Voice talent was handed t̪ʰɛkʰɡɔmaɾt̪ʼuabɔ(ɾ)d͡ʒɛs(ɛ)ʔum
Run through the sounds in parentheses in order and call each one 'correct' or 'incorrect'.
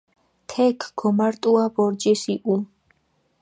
correct, incorrect

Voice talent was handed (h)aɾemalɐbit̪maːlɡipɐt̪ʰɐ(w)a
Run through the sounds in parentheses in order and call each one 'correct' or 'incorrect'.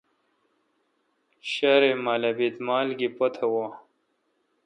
incorrect, correct

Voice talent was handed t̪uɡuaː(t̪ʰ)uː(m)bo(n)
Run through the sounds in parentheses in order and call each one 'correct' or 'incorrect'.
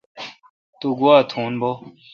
correct, incorrect, incorrect

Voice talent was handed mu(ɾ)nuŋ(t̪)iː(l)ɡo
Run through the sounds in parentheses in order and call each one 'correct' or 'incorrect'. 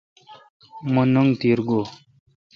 incorrect, correct, incorrect

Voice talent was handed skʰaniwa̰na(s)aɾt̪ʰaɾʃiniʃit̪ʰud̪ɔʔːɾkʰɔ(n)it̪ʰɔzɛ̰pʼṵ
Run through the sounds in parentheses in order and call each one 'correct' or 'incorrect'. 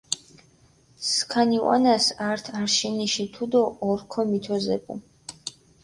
correct, incorrect

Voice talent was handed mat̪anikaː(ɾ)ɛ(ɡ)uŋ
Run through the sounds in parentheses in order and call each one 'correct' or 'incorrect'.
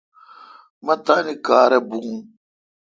correct, incorrect

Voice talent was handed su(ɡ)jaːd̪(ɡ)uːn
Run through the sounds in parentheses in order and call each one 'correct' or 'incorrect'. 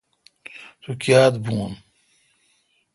incorrect, incorrect

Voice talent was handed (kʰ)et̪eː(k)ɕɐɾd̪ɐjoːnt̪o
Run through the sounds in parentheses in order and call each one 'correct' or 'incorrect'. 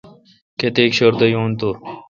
incorrect, correct

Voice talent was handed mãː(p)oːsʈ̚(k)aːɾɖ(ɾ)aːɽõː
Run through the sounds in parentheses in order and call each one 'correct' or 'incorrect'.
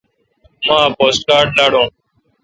correct, correct, incorrect

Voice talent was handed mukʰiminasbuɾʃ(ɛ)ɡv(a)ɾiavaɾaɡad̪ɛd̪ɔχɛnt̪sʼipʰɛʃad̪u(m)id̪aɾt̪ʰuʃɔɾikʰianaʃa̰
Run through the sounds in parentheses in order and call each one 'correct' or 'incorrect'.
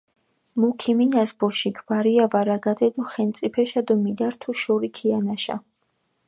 incorrect, correct, correct

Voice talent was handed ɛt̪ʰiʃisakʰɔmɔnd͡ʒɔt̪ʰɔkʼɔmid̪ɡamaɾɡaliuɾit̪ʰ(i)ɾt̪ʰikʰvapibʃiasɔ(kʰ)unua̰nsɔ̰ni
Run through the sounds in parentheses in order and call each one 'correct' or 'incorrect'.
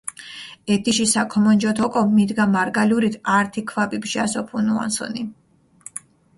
incorrect, incorrect

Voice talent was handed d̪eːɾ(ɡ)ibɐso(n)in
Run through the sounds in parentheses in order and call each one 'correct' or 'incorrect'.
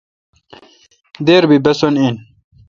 incorrect, correct

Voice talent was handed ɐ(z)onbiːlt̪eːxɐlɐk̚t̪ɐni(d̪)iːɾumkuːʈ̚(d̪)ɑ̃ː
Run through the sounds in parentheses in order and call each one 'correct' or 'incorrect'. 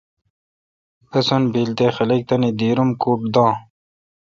incorrect, correct, correct

